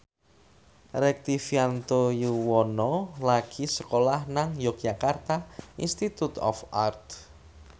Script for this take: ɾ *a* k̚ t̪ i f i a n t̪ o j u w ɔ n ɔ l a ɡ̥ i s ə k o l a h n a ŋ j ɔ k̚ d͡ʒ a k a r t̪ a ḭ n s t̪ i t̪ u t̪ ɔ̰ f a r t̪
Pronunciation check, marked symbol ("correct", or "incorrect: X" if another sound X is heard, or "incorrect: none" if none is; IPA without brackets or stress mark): incorrect: ɛ